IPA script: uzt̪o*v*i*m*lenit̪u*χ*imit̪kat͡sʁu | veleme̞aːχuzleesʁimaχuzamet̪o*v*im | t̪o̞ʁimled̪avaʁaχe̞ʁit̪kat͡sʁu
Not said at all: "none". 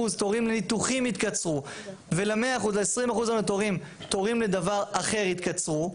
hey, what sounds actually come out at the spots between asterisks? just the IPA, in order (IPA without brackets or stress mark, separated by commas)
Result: ʁ, m, χ, ʁ